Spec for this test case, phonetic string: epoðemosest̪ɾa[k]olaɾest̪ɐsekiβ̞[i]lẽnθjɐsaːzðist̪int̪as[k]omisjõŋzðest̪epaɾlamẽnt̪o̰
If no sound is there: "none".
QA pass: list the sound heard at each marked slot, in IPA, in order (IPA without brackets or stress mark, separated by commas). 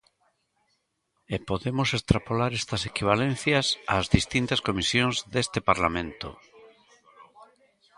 p, a, k